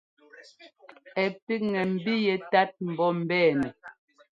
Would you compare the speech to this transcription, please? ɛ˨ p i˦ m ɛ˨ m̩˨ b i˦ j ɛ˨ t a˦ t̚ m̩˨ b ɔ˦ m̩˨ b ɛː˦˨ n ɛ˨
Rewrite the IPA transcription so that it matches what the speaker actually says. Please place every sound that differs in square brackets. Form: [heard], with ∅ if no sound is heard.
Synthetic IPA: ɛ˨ p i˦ [ŋ] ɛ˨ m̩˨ b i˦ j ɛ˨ t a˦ t̚ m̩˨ b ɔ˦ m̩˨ b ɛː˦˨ n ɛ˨

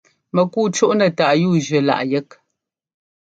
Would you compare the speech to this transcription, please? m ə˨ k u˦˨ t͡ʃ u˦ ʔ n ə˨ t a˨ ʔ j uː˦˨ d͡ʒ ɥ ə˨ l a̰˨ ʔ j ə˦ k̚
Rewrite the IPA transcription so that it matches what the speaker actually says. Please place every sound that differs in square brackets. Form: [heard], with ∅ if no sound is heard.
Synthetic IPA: m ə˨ k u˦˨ t͡ʃ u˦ ʔ n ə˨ t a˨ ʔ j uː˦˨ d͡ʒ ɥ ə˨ l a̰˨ ʔ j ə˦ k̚

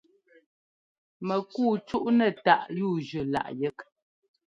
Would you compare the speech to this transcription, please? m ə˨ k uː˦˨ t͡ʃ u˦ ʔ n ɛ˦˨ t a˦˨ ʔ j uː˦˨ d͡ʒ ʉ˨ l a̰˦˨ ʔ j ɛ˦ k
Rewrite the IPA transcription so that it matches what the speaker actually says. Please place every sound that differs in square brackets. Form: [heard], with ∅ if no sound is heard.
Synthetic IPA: m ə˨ k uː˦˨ t͡ʃ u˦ ʔ n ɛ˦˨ t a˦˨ ʔ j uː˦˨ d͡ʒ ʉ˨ l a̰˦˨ ʔ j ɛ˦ k

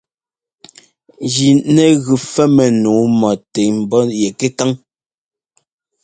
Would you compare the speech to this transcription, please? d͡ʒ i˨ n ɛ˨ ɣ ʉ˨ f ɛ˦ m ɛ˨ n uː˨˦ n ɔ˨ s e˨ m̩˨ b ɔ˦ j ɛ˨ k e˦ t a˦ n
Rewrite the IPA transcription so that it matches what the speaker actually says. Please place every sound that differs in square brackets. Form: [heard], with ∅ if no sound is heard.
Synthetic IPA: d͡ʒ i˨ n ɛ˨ ɣ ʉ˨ f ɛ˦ m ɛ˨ n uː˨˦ [m] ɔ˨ [t] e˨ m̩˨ b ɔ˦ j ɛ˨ k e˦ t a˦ [ŋ]

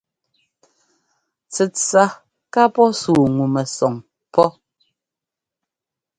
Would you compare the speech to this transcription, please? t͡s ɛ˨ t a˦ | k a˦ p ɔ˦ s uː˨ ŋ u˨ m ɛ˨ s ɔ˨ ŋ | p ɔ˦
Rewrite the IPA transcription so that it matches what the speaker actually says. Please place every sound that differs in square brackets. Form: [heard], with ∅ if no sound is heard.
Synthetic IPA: t͡s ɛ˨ [t͡s] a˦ | k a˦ p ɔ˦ s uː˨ ŋ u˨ m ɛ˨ s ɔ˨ ŋ | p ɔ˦

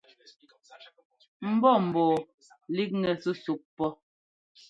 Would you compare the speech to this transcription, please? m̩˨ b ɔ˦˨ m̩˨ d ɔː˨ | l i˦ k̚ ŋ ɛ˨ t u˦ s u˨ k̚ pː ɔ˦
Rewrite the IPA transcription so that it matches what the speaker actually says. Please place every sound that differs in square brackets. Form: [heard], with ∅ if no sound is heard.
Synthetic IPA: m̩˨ b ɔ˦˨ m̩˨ [b] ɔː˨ | l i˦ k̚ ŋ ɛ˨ [s] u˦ s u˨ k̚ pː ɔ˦

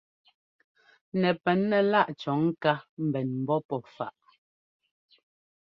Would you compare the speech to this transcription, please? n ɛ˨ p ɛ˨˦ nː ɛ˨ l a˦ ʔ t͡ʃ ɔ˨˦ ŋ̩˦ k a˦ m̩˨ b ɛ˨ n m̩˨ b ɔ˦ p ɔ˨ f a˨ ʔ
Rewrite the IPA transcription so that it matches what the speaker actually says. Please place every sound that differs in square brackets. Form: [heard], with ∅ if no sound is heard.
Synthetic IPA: n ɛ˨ p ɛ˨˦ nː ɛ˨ l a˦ ʔ t͡ʃ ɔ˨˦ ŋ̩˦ k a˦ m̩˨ b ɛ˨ n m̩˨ b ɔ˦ p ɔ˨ f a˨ ʔ

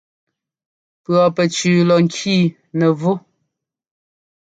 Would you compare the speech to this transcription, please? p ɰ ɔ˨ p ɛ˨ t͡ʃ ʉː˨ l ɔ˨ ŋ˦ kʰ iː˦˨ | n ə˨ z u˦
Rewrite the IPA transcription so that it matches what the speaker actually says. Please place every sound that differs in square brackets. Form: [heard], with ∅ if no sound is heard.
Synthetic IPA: p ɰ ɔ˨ p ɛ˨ t͡ʃ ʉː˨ l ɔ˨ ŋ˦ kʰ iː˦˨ | n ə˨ [v] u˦

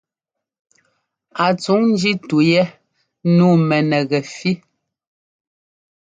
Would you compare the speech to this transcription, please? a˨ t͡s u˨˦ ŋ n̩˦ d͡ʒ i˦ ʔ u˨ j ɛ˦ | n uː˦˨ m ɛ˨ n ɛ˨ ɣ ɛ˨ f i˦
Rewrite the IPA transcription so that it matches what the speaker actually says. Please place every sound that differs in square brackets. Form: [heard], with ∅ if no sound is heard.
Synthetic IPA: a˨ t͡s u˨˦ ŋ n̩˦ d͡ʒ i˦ [t] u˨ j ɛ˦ | n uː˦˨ m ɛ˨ n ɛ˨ ɣ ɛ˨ f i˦

